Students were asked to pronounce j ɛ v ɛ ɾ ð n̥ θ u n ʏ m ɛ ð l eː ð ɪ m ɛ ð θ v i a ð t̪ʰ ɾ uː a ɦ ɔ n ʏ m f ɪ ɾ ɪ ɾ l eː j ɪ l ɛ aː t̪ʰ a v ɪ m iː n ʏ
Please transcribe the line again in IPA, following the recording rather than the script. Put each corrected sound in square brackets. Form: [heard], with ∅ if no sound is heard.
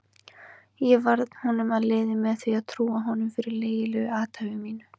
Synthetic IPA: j ɛ v [a] ɾ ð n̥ [h] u n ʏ m [a] ð l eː ð ɪ m ɛ ð θ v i a ð t̪ʰ ɾ uː a ɦ ɔ n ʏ m f ɪ ɾ ɪ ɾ l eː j ɪ l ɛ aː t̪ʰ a v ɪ m iː n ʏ